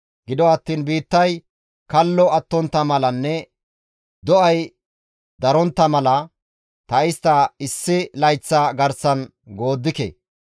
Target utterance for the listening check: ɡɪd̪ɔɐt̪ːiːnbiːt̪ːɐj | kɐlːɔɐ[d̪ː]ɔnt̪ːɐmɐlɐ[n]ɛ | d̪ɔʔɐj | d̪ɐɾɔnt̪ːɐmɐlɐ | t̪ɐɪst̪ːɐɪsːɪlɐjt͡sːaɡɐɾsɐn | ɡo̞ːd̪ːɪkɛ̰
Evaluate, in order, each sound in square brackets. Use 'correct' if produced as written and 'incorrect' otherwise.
incorrect, incorrect

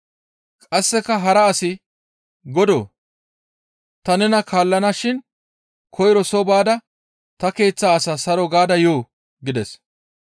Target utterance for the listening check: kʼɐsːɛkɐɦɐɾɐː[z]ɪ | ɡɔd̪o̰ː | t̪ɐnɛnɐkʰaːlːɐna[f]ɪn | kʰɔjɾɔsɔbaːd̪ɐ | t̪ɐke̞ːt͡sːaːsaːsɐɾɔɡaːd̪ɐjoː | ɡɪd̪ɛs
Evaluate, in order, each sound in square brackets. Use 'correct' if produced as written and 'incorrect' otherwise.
incorrect, incorrect

